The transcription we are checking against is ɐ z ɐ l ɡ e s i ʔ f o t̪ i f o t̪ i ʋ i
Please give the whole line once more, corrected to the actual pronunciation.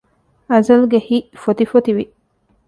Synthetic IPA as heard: ɐ z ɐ l ɡ e h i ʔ f o t̪ i f o t̪ i ʋ i